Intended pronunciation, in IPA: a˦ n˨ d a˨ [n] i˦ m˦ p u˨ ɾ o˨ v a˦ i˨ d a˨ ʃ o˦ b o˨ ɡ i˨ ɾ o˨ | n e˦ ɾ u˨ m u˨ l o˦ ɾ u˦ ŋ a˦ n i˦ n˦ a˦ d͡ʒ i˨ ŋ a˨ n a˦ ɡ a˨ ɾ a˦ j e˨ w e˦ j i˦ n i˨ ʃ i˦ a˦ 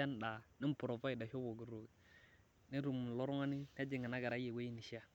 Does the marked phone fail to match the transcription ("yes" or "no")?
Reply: no